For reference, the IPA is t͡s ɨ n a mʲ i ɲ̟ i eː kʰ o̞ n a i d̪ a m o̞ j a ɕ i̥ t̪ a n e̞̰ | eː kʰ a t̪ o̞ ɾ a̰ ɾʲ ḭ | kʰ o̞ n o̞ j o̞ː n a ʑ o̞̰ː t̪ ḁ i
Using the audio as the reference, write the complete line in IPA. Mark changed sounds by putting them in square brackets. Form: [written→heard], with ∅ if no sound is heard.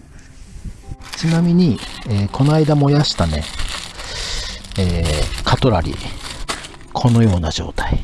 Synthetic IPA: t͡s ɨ n a mʲ i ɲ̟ i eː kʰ o̞ n a i d̪ a m o̞ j a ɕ i̥ t̪ a n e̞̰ | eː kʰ a t̪ o̞ ɾ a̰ ɾʲ ḭ | kʰ o̞ n o̞ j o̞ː n a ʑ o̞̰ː t̪ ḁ i